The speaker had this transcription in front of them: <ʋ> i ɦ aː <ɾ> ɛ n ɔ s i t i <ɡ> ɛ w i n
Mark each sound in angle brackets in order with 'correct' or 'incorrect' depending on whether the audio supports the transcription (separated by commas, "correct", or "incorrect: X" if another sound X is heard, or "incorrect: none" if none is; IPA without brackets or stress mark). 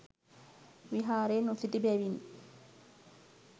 incorrect: w, correct, incorrect: b